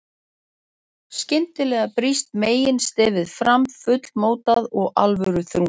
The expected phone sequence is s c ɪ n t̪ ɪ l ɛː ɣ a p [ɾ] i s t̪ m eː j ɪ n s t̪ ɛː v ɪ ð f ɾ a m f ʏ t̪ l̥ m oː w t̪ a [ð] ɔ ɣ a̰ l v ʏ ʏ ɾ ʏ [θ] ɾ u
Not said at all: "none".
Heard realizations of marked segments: ɾ, ð, θ

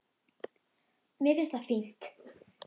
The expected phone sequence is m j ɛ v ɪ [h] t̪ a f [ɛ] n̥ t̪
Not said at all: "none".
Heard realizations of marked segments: s, i

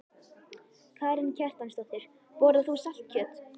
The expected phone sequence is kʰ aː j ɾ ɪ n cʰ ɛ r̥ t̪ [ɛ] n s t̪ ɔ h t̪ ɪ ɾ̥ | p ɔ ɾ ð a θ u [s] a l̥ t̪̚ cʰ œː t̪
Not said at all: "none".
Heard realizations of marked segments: a, s

